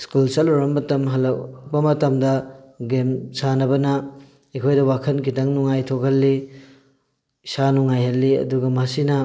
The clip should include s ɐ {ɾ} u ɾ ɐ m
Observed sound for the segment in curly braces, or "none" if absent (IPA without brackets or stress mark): l